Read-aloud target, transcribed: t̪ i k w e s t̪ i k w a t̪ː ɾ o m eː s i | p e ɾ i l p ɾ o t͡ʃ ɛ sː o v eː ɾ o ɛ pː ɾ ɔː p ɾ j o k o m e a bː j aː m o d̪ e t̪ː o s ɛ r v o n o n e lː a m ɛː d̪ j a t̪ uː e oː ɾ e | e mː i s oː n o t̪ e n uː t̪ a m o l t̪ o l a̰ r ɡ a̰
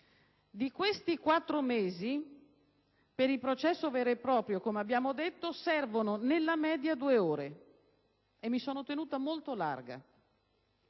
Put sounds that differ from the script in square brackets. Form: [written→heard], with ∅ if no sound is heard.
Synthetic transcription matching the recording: [t̪→d̪] i k w e s t̪ i k w a t̪ː ɾ o m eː [s→z] i | p e ɾ i l p ɾ o t͡ʃ ɛ sː o v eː ɾ o [ɛ→e] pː ɾ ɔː p ɾ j o k o m e a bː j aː m o d̪ e t̪ː o s ɛ r v o n o n e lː a m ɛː d̪ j a [t̪→d̪] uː e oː ɾ e | e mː i s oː n o t̪ e n uː t̪ a m o l t̪ o l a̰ r ɡ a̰